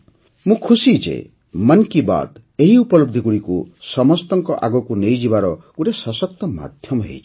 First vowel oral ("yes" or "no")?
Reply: no